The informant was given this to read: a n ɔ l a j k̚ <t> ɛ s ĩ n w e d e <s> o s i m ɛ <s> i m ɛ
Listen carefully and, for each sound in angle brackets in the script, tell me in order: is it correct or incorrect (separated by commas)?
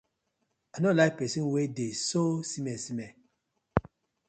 incorrect, correct, correct